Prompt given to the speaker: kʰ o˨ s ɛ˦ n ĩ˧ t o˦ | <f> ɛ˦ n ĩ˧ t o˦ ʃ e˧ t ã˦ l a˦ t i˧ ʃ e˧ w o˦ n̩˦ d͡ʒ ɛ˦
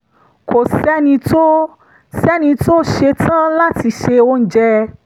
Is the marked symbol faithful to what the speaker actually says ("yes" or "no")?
no